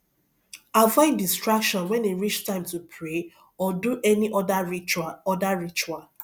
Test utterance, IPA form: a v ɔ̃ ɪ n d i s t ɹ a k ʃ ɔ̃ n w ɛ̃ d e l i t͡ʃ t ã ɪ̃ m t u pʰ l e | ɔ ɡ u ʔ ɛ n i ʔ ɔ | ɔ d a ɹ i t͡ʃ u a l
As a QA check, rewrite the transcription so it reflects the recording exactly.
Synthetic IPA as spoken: a v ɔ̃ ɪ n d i s t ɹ a k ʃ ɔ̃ n w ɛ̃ n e ɹ i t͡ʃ t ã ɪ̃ m t u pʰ ɹ e | ɔ d u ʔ ɛ n i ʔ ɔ | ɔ d a ɹ i t͡ʃ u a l

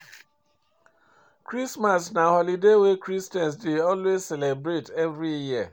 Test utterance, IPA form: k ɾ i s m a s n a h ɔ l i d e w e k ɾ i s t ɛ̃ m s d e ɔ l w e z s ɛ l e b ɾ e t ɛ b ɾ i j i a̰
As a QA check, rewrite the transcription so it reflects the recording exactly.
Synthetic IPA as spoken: k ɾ i s m a s n a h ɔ l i d e w e k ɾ i s t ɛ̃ n s d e ɔ l w e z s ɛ l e b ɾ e t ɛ v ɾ i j i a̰

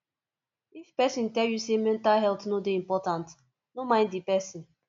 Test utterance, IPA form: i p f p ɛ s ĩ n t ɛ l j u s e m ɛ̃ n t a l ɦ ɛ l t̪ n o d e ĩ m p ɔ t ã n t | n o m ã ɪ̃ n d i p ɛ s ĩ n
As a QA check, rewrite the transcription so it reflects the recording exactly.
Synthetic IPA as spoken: i f p ɛ s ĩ n t ɛ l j u s e m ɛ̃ n t a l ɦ ɛ l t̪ n o d e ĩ m p ɔ t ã n t | n o m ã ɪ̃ n d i p ɛ s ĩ n

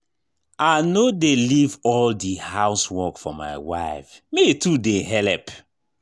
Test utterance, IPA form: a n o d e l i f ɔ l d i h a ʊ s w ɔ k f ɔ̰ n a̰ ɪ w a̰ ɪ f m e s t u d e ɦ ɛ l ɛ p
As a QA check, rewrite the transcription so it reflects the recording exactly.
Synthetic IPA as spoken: a n o d e l i v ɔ l d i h a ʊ s w ɔ k f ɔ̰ m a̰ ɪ w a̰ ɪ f m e t u d e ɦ ɛ l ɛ p

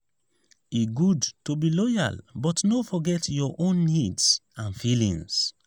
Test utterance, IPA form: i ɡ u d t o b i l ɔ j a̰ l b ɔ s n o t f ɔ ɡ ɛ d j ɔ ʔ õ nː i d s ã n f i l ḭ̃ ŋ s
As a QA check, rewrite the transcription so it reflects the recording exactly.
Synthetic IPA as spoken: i ɡ u d t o b i l ɔ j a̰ l b ɔ t n o f ɔ ɡ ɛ t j ɔ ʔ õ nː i d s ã n f i l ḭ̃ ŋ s

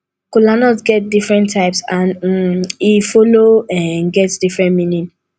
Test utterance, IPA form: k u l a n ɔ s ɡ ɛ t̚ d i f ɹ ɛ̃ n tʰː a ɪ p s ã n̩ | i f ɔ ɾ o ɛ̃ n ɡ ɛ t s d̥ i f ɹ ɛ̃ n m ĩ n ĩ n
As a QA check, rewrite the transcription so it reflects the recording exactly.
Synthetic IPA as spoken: k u l a n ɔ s ɡ ɛ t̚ d i f ɹ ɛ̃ n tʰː a ɪ p s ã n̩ | i f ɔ l o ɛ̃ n ɡ ɛ t s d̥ i f ɹ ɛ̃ n m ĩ n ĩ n

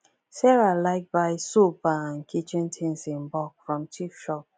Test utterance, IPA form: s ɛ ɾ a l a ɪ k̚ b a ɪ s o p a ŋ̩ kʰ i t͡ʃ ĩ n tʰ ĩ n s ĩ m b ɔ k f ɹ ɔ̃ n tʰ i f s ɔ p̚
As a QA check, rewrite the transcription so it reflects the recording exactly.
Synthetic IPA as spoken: s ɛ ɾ a l a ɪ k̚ b a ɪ s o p a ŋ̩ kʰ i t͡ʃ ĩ n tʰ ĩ n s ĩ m b ɔ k f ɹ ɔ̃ m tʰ i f ʃ ɔ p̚

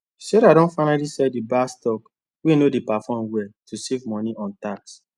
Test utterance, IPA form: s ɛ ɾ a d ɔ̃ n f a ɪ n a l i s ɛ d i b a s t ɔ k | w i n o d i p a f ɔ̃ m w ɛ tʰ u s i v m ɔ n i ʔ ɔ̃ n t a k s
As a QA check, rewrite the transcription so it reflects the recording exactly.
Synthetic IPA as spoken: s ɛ ɾ a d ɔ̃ n f a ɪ n a l i s ɛ d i b a s t ɔ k | w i n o d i p a f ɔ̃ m w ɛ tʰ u s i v m ɔ n i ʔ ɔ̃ n t a k s

